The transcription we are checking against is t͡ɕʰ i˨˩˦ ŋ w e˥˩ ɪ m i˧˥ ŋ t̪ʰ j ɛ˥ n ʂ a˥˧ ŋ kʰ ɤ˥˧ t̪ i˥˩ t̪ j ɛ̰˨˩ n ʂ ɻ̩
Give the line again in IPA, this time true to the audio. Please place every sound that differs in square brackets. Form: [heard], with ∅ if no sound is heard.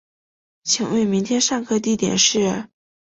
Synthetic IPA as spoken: t͡ɕʰ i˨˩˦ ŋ w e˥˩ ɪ m i˧˥ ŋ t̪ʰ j ɛ˥ n ʂ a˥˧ ŋ kʰ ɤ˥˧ t̪ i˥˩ t̪ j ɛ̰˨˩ n ʂ ɻ̩